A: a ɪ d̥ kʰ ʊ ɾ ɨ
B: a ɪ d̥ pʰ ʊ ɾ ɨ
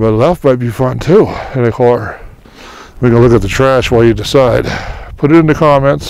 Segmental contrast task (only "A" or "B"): B